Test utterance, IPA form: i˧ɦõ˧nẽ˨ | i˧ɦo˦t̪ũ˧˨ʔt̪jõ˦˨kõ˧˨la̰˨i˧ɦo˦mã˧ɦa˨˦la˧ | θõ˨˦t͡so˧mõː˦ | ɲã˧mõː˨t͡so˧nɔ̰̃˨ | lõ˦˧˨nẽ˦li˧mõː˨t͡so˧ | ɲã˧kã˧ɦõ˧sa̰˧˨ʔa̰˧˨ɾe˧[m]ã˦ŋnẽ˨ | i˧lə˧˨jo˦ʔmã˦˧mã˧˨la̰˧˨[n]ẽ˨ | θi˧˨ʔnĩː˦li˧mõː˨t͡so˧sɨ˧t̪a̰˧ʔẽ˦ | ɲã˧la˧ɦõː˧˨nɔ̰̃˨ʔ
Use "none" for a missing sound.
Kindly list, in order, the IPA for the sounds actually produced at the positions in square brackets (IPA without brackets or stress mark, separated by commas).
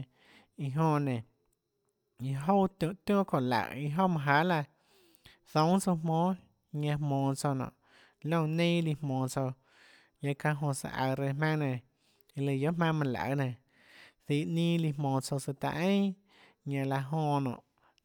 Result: m, n